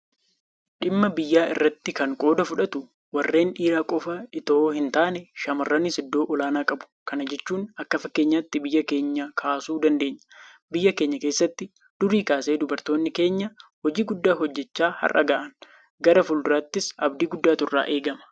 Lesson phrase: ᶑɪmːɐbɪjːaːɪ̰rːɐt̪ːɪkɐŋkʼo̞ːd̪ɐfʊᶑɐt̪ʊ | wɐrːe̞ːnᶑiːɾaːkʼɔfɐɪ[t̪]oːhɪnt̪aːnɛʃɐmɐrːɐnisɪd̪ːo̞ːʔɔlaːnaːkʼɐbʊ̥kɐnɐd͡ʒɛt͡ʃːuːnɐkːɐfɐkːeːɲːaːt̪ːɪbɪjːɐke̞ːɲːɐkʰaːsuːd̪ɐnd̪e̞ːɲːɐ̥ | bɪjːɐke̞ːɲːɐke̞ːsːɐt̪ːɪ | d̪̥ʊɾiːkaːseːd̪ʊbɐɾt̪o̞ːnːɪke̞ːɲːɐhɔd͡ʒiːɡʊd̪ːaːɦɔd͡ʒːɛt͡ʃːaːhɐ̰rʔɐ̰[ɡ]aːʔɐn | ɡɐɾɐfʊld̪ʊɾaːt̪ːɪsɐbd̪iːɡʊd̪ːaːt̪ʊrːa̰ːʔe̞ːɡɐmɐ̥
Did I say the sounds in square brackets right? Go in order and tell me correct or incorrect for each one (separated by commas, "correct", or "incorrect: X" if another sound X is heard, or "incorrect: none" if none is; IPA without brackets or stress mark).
correct, correct